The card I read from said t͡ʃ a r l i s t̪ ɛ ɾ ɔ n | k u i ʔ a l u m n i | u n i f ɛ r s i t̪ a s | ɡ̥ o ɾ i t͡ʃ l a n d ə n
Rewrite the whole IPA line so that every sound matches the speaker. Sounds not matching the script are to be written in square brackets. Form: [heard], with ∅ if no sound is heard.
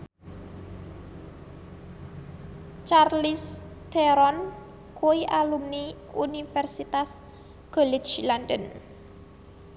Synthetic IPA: t͡ʃ a r l i s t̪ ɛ ɾ ɔ n | k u i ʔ a l u m n i | u n i f ɛ r s i t̪ a s | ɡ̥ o [l] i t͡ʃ l a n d ə n

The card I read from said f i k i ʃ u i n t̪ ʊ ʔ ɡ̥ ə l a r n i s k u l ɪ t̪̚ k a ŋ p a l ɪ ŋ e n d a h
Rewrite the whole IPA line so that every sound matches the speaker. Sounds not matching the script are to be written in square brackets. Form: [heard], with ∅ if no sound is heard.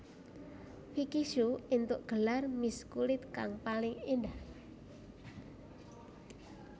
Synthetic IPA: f i k i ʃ u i n t̪ ʊ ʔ ɡ̥ ə l a r [m] i s k u l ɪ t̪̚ k a ŋ p a l ɪ ŋ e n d a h

